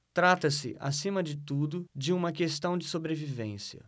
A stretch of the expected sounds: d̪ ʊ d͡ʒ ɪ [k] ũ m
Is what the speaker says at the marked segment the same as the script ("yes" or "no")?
no